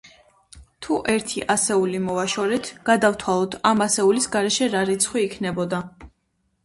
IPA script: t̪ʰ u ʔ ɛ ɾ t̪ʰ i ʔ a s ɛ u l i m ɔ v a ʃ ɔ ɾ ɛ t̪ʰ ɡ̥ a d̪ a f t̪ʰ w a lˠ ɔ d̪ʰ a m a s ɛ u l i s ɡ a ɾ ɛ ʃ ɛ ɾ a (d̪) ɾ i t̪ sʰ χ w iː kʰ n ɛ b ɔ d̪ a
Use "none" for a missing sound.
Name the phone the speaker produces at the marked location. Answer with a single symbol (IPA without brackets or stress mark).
none